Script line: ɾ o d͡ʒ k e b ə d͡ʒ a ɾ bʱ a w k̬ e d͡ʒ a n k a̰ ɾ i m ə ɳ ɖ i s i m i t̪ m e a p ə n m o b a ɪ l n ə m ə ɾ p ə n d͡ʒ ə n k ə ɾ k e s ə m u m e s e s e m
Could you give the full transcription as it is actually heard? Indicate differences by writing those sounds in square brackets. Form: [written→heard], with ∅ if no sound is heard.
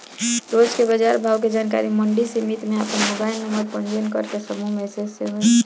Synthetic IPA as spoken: ɾ o d͡ʒ k e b ə d͡ʒ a ɾ bʱ a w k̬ e d͡ʒ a n k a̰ ɾ i m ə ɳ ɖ i s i m i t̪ m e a p ə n m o b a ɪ l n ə m ə ɾ p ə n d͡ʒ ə n k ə ɾ k e s ə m u m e s e s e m